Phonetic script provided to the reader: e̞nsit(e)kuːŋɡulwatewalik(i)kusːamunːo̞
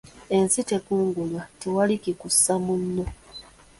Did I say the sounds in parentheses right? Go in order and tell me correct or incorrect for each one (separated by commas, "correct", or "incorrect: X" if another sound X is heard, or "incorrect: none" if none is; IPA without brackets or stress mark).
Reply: correct, correct